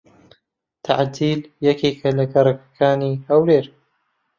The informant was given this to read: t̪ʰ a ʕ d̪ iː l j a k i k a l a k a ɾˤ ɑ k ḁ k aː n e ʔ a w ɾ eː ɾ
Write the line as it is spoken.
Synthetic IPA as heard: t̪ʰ a ʕ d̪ iː l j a k i k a l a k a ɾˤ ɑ k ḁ k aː n i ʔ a w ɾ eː ɾ